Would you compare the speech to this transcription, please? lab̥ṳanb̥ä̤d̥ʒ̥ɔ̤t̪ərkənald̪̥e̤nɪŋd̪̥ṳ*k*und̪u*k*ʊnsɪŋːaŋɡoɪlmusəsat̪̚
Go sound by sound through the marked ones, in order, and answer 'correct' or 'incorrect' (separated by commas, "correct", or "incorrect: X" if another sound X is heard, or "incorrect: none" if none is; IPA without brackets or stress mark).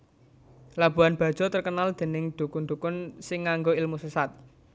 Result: correct, correct